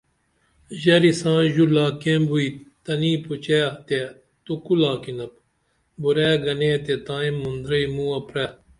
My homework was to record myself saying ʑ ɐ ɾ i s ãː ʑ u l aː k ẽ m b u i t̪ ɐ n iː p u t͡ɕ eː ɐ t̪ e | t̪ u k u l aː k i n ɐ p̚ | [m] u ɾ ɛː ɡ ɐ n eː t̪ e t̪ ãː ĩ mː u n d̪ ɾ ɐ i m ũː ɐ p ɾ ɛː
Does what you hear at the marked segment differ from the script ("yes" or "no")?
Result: yes